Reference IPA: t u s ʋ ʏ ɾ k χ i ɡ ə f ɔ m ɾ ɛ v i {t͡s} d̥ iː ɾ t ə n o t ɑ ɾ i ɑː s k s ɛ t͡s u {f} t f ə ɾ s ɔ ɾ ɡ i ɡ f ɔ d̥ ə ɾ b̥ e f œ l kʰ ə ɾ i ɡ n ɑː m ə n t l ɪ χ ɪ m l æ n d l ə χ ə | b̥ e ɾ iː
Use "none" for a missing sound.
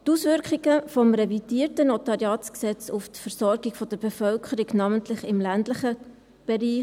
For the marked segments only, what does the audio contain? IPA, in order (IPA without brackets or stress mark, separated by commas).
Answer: none, f